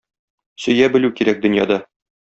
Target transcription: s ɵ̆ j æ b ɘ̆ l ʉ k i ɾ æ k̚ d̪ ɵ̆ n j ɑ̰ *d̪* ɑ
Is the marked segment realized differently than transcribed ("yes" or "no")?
no